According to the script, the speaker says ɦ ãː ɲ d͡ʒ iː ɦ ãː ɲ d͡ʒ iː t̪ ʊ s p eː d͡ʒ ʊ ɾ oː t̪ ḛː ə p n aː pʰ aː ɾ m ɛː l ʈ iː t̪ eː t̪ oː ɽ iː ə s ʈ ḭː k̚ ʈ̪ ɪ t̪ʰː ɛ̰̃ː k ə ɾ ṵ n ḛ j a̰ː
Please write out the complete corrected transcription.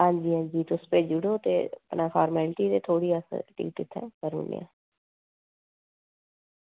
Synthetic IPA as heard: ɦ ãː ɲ d͡ʒ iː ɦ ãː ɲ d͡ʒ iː t̪ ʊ s p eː d͡ʒ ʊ ɽ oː t̪ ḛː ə p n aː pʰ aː ɾ m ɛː l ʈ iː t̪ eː t̪ʰ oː ɽ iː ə s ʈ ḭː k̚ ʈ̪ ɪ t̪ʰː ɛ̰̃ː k ə ɾ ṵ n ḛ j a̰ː

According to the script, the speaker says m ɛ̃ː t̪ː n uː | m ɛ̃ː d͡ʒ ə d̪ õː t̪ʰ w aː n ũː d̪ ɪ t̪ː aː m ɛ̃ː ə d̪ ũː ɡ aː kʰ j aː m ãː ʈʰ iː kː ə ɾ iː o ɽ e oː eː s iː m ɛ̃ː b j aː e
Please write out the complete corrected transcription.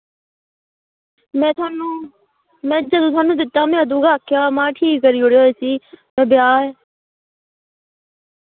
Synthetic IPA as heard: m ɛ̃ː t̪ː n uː | m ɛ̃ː d͡ʒ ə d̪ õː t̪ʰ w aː n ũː d̪ ɪ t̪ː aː m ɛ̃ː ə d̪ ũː ɡ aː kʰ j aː m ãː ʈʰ iː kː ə ɾ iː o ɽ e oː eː s iː m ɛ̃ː b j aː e

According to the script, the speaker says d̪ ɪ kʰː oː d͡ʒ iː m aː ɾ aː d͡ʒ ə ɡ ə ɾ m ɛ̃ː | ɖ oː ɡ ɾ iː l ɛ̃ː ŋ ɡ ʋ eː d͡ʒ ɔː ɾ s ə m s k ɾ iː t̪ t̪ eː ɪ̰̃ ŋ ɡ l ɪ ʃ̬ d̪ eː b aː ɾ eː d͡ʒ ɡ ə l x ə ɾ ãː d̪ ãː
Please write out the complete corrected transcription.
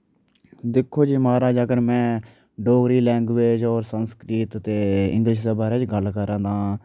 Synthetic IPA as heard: d̪ ɪ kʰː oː d͡ʒ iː m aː ɾ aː d͡ʒ ə ɡ ə ɾ m ɛ̃ː | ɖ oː ɡ ɾ iː l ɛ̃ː ŋ ɡ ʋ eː d͡ʒ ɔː ɾ s ə n s k ɾ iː t̪ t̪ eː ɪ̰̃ ŋ ɡ l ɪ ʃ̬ d̪ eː b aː ɾ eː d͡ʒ ɡ ə l k ə ɾ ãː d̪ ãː

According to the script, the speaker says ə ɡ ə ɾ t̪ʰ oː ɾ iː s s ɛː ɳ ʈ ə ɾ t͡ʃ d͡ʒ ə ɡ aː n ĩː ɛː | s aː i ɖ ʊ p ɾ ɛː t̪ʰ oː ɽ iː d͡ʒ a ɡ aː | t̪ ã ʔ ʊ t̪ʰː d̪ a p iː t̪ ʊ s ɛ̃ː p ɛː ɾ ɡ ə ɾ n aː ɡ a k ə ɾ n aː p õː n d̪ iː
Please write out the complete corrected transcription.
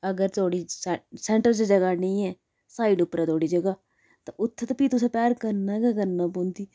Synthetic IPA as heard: ə ɡ ə ɾ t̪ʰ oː ɽ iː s s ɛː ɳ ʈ ə ɾ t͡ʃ d͡ʒ ə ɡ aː n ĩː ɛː | s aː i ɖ ʊ p ɾ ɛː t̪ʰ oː ɽ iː d͡ʒ ə ɡ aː | t̪ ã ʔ ʊ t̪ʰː t̪ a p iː t̪ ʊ s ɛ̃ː p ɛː ɾ k ə ɾ n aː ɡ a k ə ɾ n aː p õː n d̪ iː

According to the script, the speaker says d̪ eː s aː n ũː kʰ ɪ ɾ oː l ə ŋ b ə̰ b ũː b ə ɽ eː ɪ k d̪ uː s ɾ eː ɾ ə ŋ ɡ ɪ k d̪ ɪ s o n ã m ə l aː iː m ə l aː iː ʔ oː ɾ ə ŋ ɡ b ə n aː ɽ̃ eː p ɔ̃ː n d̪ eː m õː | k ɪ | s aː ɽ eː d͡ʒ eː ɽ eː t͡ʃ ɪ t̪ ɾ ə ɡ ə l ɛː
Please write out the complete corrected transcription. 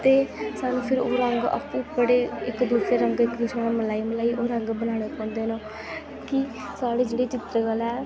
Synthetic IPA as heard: t̪ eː s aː n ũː pʰ ɪ ɾ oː ɾ ə ŋ ɡ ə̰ p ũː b ə ɽ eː ɪ k d̪ uː s ɾ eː ɾ ə ŋ ɡ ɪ k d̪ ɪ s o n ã m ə l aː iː m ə l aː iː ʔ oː ɾ ə ŋ ɡ b ə n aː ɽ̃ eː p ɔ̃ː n d̪ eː n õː | k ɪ | s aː ɽ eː d͡ʒ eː ɽ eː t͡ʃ ɪ t̪ ɾ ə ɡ ə l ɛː

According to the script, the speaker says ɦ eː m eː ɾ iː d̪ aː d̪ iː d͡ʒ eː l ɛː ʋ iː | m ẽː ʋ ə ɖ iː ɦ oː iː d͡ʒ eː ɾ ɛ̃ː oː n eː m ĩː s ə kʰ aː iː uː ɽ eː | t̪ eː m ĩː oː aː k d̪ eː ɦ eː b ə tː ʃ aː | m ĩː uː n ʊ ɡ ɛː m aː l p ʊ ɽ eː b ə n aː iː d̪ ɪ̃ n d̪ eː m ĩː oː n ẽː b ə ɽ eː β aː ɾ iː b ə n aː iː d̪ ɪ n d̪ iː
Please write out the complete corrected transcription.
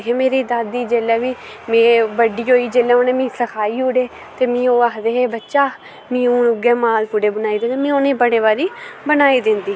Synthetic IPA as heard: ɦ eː m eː ɾ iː d̪ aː d̪ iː d͡ʒ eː l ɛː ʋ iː | m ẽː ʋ ə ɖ iː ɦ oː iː d͡ʒ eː l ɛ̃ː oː n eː m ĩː s ə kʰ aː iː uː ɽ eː | t̪ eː m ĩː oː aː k d̪ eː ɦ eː b ə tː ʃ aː | m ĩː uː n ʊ ɡ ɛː m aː l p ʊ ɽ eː b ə n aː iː d̪ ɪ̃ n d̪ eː m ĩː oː n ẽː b ə ɽ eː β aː ɾ iː b ə n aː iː d̪ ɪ n d̪ iː

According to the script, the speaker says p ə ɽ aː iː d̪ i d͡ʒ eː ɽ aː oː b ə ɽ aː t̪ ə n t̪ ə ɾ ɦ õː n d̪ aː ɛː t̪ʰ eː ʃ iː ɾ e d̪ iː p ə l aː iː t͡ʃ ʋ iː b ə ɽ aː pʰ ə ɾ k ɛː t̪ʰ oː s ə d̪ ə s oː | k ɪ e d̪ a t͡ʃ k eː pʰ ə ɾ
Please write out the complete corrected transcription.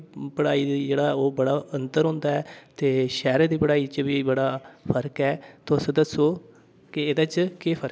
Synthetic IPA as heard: p ə ɽ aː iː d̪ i d͡ʒ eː ɽ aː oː b ə ɽ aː ə n t̪ ə ɾ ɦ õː n d̪ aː ɛː t̪ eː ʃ ɛː ɾ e d̪ iː p ə ɽ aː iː t͡ʃ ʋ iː b ə ɽ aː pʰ ə ɾ k ɛː t̪ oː s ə d̪ ə s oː | k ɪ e d̪ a t͡ʃ k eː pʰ ə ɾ

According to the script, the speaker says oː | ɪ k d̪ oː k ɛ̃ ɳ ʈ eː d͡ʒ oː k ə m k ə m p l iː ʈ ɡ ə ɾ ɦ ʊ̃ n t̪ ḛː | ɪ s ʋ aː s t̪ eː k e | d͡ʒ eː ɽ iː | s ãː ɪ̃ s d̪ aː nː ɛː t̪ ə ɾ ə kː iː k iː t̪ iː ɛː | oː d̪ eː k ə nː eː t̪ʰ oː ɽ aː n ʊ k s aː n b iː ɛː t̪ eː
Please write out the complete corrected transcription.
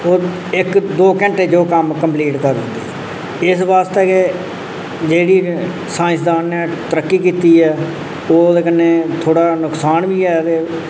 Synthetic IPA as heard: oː | ɪ k d̪ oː k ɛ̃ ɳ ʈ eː d͡ʒ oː k ə m k ə m p l iː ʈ k ə ɾ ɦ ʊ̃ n d̪ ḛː | ɪ s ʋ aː s t̪ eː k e | d͡ʒ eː ɽ iː | s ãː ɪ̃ s d̪ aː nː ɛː t̪ ə ɾ ə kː iː k iː t̪ iː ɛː | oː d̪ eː k ə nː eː t̪ʰ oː ɽ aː n ʊ k s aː n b iː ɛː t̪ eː

